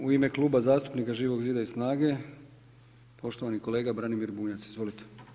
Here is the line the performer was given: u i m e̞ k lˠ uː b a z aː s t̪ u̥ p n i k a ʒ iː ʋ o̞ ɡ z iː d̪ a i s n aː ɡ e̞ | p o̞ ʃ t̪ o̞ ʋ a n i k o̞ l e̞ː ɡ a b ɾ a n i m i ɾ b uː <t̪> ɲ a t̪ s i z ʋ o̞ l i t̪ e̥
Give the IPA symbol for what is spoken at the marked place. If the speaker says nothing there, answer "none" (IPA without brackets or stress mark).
none